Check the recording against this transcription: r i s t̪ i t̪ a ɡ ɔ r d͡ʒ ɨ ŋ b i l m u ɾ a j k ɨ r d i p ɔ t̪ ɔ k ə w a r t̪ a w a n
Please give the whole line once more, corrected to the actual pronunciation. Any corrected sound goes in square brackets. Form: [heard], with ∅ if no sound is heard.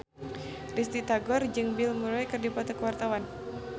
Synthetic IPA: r i s t̪ i t̪ a ɡ ɔ r d͡ʒ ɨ ŋ b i l m u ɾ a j k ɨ r d i p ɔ t̪ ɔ k ə w a r t̪ a w a n